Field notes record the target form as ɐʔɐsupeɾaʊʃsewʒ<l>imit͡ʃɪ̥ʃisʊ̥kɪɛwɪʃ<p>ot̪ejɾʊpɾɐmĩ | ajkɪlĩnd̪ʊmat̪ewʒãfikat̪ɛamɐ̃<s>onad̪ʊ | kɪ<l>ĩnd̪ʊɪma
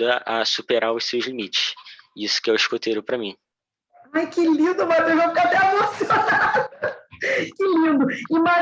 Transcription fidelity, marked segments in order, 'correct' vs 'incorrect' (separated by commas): correct, incorrect, correct, correct